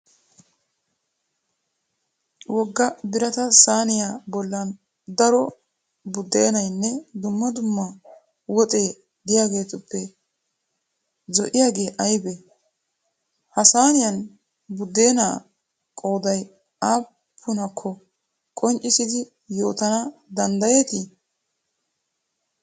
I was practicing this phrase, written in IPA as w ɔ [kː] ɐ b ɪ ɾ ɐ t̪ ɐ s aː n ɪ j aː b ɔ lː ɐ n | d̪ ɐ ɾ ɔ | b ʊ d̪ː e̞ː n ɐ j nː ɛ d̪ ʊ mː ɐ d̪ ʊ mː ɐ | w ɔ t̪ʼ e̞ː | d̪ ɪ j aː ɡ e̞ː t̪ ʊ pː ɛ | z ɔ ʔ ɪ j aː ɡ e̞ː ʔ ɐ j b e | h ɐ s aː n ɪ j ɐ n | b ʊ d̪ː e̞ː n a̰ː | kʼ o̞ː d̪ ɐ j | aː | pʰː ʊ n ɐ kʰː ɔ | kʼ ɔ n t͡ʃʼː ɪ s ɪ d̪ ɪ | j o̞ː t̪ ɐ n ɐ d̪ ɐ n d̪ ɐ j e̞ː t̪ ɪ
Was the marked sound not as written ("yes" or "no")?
yes